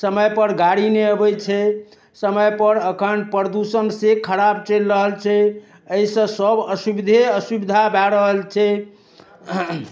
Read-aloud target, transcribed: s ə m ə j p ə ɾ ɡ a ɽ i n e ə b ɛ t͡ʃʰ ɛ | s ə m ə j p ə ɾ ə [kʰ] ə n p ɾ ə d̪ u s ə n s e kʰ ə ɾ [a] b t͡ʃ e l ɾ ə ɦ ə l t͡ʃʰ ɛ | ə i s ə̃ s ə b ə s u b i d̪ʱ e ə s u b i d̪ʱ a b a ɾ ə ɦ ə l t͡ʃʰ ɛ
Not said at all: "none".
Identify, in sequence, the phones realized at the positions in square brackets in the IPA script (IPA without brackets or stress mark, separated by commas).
kʰ, a